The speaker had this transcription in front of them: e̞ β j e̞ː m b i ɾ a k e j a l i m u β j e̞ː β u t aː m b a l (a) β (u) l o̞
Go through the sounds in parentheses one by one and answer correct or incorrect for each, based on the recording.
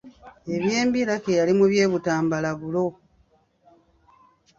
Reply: correct, correct

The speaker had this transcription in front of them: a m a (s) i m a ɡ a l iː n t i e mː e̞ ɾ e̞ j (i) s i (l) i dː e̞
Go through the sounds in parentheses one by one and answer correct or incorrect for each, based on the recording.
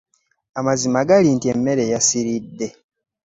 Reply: incorrect: z, incorrect: a, incorrect: ɾ

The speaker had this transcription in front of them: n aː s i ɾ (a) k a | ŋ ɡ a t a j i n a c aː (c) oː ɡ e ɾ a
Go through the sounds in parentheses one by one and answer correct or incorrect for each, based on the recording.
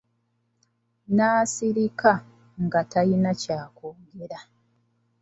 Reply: incorrect: i, incorrect: k

